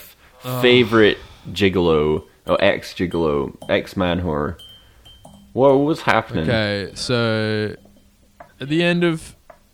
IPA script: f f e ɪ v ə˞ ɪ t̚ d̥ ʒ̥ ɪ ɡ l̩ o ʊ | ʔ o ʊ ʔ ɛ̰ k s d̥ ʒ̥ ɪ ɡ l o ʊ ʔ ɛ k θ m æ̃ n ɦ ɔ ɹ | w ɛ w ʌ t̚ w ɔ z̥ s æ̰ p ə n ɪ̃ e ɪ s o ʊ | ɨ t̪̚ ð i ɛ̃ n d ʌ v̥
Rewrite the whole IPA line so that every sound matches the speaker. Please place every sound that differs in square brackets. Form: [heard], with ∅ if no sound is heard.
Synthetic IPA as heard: f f e ɪ v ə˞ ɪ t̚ d̥ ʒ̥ ɪ ɡ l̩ o ʊ | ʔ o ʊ ʔ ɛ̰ k s d̥ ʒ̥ ɪ ɡ l o ʊ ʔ ɛ k [s] m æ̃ n ɦ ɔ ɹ | w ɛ w ʌ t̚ w [ʌ] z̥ [h] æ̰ p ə n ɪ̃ e ɪ s o ʊ | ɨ t̪̚ ð i ɛ̃ n d ʌ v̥